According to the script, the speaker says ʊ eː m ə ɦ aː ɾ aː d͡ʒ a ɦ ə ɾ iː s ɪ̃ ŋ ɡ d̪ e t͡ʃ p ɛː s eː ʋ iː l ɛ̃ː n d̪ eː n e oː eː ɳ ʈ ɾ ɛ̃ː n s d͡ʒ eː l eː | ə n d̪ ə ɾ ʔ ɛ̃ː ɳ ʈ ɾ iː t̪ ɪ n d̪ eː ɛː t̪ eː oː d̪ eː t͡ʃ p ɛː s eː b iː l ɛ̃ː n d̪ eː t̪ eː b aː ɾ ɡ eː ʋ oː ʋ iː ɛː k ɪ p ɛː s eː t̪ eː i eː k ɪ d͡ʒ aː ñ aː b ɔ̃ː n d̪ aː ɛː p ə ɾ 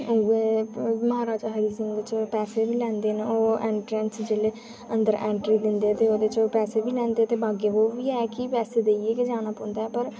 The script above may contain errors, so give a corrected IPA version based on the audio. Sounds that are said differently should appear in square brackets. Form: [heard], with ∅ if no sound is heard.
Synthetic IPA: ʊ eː m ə ɦ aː ɾ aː d͡ʒ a ɦ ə ɾ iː s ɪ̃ ŋ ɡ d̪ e t͡ʃ p ɛː s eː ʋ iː l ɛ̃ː n d̪ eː n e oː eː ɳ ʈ ɾ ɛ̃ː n s d͡ʒ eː l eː | ə n d̪ ə ɾ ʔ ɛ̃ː ɳ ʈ ɾ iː [d̪] ɪ n d̪ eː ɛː t̪ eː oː d̪ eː t͡ʃ p ɛː s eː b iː l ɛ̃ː n d̪ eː t̪ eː b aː [∅] ɡ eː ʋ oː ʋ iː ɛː k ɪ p ɛː s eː [d̪] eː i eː k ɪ d͡ʒ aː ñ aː [p] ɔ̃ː n d̪ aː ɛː p ə ɾ